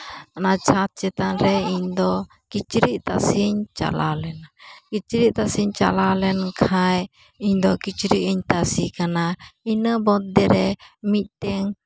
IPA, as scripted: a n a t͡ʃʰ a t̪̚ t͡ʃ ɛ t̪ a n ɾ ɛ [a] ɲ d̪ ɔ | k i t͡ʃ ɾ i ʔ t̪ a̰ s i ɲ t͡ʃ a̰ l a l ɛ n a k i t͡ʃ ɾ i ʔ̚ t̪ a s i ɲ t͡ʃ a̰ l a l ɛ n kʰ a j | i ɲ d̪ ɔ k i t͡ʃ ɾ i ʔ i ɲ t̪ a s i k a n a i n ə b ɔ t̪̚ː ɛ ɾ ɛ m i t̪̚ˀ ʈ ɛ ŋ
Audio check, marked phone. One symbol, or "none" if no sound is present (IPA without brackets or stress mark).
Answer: i